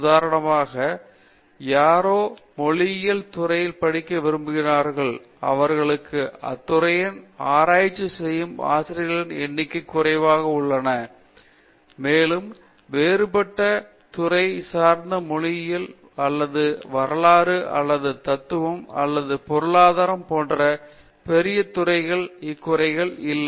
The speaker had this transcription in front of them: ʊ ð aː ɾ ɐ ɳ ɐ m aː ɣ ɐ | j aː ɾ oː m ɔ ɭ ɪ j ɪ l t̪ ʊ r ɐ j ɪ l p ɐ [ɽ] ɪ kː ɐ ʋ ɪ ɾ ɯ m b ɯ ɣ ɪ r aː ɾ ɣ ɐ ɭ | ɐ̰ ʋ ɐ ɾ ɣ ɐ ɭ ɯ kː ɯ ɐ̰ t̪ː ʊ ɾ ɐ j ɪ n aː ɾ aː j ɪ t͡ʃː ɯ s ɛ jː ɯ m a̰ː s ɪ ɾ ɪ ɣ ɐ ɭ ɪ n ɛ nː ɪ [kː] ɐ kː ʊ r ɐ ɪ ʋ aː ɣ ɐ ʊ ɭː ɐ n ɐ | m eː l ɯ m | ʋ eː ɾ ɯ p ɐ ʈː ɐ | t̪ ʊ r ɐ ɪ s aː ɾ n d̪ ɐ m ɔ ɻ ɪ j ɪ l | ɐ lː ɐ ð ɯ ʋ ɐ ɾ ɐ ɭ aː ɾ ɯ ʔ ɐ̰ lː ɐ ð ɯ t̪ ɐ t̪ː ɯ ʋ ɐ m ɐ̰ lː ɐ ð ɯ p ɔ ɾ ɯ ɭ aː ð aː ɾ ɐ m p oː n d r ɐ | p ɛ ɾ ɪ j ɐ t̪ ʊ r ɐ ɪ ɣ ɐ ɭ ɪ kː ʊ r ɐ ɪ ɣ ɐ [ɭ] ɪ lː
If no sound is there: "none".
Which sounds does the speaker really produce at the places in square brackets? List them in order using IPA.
ɽ, kː, ɭ

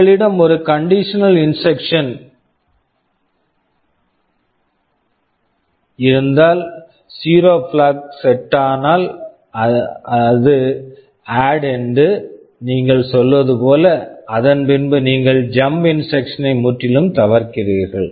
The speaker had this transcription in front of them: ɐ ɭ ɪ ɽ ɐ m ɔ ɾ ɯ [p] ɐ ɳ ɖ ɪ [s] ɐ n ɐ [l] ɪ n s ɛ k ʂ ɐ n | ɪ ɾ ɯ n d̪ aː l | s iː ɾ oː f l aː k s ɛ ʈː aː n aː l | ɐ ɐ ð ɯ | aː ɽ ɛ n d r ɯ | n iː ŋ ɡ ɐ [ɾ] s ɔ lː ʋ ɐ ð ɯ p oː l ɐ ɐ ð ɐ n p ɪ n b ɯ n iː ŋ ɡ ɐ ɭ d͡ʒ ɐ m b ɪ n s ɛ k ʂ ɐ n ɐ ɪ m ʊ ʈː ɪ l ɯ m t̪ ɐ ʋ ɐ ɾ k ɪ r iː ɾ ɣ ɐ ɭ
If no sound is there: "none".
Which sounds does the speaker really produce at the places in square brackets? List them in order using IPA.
k, ʂ, l, ɭ

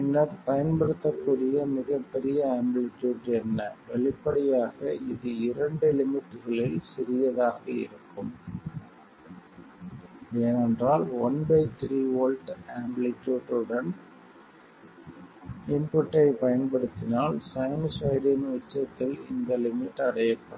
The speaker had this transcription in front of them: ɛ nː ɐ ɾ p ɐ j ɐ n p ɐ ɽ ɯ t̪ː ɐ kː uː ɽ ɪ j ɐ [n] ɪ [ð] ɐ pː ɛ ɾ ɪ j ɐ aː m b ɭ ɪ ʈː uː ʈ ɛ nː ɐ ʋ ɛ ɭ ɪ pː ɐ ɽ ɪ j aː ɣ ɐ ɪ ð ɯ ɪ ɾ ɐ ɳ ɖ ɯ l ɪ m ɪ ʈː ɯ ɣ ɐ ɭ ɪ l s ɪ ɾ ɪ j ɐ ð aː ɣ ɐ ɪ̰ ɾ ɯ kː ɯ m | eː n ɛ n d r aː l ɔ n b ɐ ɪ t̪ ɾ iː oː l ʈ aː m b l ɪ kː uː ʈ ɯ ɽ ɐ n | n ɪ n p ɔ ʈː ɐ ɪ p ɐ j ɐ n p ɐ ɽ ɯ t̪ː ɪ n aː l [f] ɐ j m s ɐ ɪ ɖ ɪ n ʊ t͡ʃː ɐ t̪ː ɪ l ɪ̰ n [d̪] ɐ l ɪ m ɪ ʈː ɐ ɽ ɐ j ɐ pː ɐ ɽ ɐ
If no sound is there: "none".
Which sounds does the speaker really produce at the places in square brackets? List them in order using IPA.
m, ɣ, s, d̪

